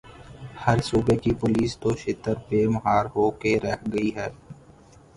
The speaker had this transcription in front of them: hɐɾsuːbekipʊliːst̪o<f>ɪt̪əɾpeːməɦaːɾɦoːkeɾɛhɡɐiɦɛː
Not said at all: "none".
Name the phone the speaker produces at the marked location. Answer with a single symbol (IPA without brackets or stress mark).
ʃ